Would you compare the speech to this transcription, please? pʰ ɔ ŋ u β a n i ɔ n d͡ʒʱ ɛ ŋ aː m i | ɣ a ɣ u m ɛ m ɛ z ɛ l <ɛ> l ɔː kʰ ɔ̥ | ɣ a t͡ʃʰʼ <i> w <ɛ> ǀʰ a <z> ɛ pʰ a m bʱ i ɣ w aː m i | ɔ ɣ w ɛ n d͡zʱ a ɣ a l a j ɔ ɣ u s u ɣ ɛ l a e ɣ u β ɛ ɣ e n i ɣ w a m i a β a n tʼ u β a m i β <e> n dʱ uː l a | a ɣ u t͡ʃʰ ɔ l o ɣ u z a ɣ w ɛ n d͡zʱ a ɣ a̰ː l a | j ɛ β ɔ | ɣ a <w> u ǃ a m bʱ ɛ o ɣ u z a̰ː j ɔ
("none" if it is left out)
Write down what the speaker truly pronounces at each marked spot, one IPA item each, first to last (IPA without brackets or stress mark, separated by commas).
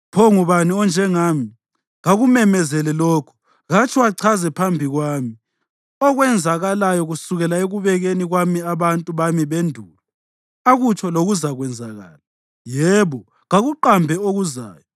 ɛ, i, a, z, e, ɣ